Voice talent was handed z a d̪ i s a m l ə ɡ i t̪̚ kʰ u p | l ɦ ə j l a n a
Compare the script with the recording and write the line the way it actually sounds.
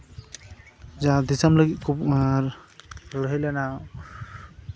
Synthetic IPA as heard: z a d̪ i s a m l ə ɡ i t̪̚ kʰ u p | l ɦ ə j l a n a